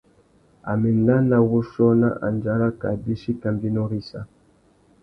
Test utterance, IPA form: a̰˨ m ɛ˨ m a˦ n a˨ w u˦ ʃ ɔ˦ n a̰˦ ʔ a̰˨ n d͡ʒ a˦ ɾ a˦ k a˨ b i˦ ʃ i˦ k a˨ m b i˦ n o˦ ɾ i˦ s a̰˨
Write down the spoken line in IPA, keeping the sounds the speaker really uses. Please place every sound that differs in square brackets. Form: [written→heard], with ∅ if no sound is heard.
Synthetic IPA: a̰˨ m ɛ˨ [m→n] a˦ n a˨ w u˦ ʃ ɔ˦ n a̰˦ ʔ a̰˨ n d͡ʒ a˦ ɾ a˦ k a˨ b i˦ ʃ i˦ k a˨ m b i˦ n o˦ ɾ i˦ s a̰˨